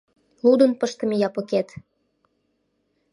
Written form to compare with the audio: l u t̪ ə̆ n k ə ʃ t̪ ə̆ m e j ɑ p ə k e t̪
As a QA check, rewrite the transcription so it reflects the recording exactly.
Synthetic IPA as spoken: l u d̪ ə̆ n p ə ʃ t̪ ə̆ m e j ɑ p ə k e t̪